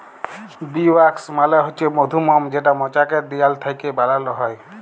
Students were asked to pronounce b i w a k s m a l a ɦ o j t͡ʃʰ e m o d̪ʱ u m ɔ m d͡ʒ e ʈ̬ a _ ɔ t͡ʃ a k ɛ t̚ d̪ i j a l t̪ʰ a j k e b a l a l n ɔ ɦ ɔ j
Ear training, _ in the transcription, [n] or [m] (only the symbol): m